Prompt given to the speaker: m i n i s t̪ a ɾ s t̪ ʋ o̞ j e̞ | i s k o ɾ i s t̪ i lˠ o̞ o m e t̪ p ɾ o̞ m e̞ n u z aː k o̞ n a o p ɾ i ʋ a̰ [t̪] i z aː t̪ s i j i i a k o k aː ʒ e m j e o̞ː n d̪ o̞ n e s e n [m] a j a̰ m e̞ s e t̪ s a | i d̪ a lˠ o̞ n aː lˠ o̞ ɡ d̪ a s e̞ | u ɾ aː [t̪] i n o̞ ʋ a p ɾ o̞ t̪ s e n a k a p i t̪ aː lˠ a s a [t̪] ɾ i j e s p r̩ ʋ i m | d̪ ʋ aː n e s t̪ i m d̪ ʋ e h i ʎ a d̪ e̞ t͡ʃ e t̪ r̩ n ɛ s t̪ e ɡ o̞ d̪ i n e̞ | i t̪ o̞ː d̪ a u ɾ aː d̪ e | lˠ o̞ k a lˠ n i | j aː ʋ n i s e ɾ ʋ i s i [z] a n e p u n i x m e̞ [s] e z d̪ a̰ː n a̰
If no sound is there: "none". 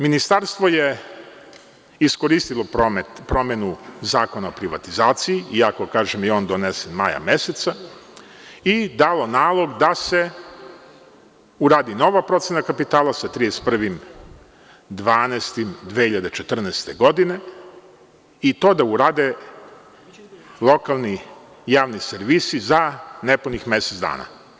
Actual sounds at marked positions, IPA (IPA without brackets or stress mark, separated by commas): t̪, m, d̪, t̪, z, s